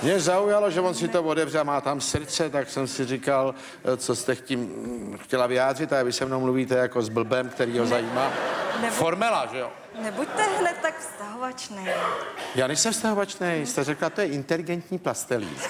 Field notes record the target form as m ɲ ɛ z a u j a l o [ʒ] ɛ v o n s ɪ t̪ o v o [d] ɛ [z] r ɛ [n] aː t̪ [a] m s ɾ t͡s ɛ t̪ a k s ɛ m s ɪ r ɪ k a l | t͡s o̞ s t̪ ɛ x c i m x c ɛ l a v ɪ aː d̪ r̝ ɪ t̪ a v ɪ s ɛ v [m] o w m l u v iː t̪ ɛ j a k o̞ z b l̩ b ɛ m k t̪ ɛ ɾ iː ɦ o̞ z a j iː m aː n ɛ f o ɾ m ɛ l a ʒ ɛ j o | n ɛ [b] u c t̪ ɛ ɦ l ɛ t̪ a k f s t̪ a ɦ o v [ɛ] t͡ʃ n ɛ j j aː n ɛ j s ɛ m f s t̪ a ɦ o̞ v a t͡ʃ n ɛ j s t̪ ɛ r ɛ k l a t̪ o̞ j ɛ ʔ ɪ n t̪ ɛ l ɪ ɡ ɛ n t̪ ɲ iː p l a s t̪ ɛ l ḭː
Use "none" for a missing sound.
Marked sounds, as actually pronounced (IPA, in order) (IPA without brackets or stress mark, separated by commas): ʒ, d, v, m, a, n, b, a